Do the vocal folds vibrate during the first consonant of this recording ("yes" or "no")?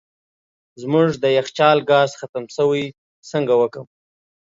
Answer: yes